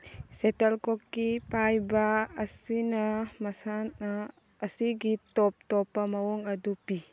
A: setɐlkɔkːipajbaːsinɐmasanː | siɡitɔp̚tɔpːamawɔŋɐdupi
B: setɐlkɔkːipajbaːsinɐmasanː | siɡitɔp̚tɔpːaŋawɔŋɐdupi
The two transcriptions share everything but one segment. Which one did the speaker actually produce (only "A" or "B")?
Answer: A